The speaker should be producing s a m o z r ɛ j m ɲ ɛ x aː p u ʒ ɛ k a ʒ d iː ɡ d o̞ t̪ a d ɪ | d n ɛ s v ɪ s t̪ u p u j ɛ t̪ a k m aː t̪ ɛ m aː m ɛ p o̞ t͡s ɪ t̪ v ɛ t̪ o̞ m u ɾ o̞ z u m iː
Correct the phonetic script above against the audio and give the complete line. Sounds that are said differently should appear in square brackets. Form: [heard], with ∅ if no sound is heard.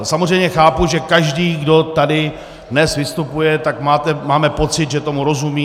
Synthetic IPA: s a m o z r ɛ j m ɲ ɛ x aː p u ʒ ɛ k a ʒ d iː ɡ d o̞ t̪ a d ɪ | d n ɛ s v ɪ s t̪ u p u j ɛ t̪ a k m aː t̪ ɛ m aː m ɛ p o̞ t͡s ɪ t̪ [ʒ] ɛ t̪ o̞ m u ɾ o̞ z u m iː